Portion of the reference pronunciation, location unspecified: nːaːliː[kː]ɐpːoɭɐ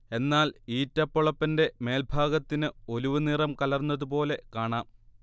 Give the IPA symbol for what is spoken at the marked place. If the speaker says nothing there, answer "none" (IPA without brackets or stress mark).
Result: tː